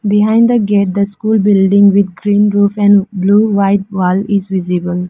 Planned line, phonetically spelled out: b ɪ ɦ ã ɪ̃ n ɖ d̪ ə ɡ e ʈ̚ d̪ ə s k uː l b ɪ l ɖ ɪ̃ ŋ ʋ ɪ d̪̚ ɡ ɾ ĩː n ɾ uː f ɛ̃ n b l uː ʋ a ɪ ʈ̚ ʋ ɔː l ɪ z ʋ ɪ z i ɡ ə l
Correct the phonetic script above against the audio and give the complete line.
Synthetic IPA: b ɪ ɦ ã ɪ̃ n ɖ d̪ ə ɡ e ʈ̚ d̪ ə s k uː l b ɪ l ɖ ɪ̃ ŋ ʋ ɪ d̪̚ ɡ ɾ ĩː n ɾ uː f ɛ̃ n b l uː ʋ a ɪ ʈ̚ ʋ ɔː l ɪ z ʋ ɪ z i b ə l